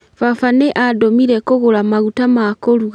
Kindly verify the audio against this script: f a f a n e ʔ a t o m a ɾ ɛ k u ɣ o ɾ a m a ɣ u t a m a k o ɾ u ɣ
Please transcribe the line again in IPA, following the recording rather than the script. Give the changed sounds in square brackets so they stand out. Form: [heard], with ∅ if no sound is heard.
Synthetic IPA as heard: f a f a n e ʔ a [d] o m [i] ɾ ɛ k [o] ɣ o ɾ a m a ɣ u t a m a k o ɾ u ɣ